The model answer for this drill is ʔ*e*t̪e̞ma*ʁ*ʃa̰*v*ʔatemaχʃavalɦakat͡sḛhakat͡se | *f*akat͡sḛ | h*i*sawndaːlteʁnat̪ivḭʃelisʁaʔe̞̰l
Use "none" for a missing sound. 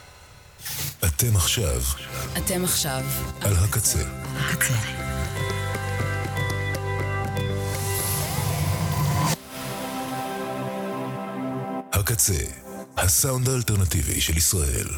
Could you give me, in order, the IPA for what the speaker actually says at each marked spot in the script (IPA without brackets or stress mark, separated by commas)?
a, χ, v, h, a